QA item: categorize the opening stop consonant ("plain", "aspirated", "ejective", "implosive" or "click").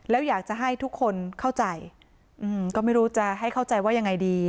plain